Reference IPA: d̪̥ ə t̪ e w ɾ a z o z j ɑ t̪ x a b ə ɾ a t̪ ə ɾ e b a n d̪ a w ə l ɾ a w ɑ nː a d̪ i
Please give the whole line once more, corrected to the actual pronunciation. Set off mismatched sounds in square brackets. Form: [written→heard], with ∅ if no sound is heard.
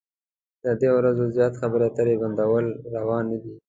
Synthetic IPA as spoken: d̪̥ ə [t̪→d̪] e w ɾ a z o z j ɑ t̪ x a b ə ɾ a t̪ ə ɾ e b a n d̪ a w ə l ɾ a w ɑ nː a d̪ i